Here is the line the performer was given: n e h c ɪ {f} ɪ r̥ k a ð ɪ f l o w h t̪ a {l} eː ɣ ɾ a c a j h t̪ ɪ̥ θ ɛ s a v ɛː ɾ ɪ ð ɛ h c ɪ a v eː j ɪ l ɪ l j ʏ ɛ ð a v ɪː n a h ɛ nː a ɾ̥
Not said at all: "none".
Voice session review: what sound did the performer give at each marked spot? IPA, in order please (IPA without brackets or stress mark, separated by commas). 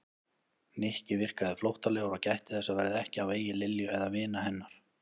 v, l